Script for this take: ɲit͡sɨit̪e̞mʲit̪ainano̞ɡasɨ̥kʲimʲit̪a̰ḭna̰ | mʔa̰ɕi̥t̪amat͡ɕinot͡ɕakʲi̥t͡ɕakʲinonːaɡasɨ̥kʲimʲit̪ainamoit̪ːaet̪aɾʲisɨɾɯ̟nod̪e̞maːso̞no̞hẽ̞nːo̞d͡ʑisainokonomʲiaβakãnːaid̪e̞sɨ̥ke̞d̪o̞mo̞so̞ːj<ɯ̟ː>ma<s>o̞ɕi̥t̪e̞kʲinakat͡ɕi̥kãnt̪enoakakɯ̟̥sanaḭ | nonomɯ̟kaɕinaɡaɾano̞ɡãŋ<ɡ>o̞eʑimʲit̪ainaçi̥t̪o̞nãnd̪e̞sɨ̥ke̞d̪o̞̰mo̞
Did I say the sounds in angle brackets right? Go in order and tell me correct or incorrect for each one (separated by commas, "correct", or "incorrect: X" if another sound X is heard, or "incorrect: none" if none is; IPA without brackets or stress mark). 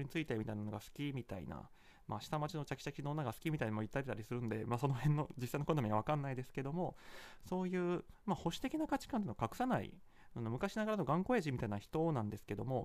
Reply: correct, incorrect: h, incorrect: k